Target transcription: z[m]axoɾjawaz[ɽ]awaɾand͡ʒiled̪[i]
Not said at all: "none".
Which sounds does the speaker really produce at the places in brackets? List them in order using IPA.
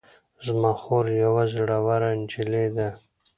m, ɽ, a

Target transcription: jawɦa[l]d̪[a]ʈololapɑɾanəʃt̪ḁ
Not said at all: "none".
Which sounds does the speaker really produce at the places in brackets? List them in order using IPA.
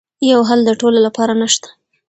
l, ə

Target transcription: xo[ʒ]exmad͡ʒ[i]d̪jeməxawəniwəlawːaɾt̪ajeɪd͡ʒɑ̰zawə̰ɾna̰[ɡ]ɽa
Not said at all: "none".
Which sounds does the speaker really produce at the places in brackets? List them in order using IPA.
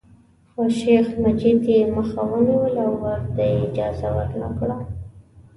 ʃ, i, k

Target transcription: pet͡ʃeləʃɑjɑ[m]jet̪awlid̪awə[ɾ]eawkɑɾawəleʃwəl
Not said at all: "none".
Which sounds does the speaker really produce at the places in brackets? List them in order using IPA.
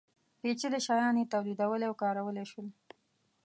n, l

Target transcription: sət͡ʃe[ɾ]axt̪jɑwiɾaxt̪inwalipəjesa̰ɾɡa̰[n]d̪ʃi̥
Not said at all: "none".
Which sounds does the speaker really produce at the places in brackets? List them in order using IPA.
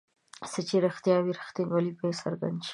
ɾ, n

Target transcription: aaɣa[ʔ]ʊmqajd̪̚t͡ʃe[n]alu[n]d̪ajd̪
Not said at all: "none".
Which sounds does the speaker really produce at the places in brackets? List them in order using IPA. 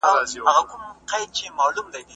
k, m, m

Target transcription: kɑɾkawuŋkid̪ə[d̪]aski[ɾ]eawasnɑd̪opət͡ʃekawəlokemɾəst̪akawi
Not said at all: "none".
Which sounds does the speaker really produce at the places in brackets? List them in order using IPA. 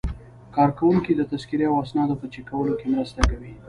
t̪, ɾ

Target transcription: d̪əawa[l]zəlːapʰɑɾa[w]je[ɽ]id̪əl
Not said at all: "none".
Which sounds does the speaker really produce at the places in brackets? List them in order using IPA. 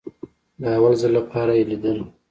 l, none, l

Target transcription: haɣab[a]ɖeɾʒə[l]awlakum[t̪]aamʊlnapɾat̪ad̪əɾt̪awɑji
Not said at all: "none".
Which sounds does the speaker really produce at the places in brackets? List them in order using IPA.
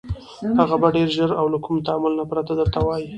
a, ɾ, t̪

